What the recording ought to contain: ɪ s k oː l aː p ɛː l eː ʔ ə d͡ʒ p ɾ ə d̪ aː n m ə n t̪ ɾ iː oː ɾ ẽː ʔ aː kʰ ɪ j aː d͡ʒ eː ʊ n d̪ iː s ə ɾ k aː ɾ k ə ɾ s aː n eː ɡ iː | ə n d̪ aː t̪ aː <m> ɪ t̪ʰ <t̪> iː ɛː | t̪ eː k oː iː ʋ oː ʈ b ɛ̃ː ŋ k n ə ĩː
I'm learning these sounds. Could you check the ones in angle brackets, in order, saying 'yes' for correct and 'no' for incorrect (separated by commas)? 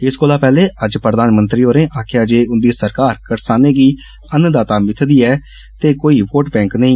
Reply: yes, no